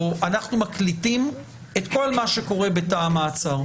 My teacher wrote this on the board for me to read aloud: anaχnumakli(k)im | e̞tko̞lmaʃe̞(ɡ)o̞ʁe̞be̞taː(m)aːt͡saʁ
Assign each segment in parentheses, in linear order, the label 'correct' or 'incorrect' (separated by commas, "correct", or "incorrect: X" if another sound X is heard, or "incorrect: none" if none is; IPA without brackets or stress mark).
incorrect: t, incorrect: k, correct